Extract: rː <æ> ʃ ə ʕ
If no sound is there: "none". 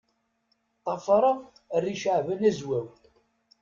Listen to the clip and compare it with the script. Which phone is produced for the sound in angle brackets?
i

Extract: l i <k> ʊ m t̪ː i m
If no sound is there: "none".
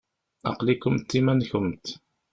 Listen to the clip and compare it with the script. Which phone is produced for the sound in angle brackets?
k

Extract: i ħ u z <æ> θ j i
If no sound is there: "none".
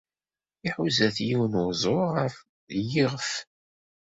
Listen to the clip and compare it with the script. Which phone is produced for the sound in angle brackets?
æ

